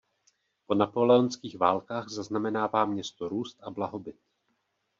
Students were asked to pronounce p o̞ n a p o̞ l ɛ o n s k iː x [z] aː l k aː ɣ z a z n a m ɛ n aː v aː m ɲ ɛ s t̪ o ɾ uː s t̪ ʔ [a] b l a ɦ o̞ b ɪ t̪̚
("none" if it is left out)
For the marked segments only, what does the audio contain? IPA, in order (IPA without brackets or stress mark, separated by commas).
v, a